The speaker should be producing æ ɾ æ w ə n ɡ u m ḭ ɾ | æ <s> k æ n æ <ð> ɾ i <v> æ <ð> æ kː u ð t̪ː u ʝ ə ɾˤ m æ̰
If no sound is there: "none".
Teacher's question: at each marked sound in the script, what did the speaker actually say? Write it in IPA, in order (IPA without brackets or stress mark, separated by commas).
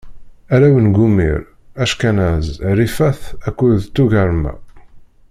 ʃ, z, f, θ